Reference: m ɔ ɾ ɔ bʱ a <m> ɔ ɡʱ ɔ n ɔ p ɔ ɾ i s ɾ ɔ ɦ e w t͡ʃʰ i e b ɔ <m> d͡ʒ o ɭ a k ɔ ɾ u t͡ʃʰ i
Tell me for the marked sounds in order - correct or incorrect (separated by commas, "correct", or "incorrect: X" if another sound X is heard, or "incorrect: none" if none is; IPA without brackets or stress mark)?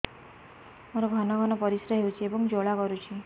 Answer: incorrect: n, incorrect: ŋ